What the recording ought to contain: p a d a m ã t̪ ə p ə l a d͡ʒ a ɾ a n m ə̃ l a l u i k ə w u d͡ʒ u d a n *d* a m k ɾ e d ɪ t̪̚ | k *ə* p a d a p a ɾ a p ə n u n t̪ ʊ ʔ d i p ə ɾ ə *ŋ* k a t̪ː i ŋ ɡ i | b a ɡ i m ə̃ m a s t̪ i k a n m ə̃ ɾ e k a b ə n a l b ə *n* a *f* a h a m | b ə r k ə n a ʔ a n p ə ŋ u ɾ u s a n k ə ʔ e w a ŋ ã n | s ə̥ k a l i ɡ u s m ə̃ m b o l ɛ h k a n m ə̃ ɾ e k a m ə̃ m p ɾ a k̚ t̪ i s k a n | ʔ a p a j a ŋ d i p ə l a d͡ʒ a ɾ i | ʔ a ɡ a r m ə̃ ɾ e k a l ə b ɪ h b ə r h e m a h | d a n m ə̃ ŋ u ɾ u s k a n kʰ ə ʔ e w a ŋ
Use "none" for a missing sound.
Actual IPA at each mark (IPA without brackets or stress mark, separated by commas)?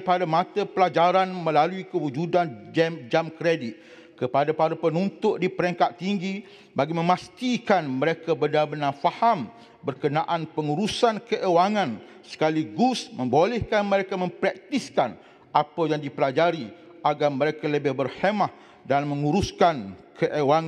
d͡ʒ, ə, ŋ, n, f